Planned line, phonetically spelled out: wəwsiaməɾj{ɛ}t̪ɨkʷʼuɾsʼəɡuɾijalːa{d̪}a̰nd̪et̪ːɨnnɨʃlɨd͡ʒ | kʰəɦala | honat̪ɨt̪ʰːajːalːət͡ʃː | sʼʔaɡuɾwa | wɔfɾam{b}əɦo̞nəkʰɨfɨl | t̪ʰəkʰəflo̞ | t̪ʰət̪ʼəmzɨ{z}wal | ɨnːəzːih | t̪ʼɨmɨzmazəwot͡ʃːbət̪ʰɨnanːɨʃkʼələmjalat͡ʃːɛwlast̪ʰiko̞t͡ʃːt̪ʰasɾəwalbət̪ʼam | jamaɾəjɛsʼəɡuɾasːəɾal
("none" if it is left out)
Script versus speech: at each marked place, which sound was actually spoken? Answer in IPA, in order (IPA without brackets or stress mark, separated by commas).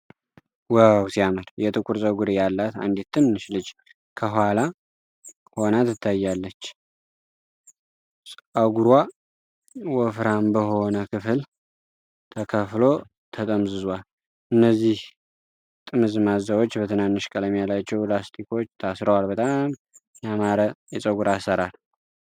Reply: ɛ, t̪, b, z